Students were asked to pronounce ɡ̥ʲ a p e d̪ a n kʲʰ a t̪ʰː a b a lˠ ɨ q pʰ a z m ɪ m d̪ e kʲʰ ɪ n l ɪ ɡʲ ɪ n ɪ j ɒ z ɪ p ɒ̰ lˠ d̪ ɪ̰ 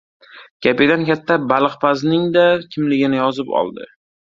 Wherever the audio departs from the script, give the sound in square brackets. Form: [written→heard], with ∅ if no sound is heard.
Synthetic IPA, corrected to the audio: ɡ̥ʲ a p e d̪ a n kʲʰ a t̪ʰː a b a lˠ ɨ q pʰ a z [m→n] ɪ [m→ŋ] d̪ [e→a] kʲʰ ɪ [n→m] l ɪ ɡʲ ɪ n ɪ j ɒ z ɪ p ɒ̰ lˠ d̪ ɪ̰